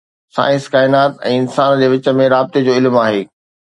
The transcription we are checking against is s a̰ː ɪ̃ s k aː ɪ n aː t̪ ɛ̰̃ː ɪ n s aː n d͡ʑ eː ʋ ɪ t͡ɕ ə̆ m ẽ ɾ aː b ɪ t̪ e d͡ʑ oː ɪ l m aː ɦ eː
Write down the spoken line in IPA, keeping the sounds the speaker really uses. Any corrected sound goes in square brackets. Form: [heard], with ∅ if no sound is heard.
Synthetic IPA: s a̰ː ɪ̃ s k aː ɪ n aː t̪ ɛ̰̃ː ɪ n s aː n d͡ʑ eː ʋ ɪ t͡ɕ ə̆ m ẽ ɾ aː b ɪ t̪ e d͡ʑ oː ɪ l m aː ɦ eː